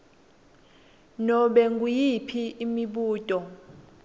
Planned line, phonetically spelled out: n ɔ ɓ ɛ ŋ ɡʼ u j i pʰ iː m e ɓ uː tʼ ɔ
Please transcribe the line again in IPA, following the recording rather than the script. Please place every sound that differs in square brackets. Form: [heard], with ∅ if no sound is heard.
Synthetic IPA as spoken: n ɔ ɓ ɛ ŋ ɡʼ u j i pʰ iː m [i] ɓ uː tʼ ɔ